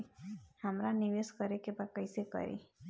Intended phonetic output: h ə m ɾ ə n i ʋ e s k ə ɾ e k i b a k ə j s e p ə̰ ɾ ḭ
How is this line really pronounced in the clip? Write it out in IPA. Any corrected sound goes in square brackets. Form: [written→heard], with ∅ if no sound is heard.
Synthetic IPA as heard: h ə m ɾ [ə→a] n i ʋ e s k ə ɾ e k [i→e] b a k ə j s e [p→k] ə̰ ɾ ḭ